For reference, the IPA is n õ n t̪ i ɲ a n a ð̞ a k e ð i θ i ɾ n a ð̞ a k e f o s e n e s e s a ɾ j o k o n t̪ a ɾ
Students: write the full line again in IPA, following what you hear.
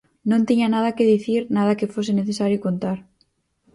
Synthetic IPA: n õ n t̪ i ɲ a n a ð̞ a k e ð i θ i ɾ n a ð̞ a k e f o s e n e θ e s a ɾ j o k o n t̪ a ɾ